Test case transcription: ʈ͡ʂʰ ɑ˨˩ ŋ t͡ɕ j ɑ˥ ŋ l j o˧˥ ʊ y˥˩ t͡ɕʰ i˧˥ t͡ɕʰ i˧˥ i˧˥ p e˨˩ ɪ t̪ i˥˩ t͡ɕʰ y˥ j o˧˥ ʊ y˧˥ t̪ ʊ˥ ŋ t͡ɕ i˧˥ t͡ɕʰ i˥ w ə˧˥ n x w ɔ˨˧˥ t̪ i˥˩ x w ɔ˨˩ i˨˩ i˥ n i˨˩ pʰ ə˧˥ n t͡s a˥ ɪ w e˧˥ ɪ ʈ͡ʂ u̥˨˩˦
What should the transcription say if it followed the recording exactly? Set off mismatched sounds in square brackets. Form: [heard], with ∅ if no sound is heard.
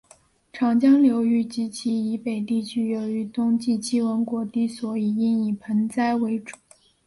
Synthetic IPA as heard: ʈ͡ʂʰ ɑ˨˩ ŋ t͡ɕ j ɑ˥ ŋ l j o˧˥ ʊ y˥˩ [t͡ɕ] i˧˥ t͡ɕʰ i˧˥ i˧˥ p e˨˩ ɪ t̪ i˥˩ t͡ɕʰ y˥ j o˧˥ ʊ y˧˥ t̪ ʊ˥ ŋ t͡ɕ [i˥˩] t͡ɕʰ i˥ w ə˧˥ n [k] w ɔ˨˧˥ t̪ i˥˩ [s] w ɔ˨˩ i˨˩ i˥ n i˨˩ pʰ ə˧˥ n t͡s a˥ ɪ w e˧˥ ɪ ʈ͡ʂ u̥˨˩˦